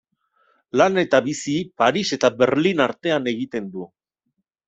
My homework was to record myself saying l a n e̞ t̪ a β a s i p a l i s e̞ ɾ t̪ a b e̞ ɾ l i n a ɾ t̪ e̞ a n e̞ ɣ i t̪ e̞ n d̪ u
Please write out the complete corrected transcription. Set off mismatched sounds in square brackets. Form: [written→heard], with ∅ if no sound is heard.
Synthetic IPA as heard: l a n e̞ t̪ a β [a→i] s i p a [l→ɾ] i s e̞ [ɾ→∅] t̪ a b e̞ ɾ l i n a ɾ t̪ e̞ a n e̞ ɣ i t̪ e̞ n d̪ u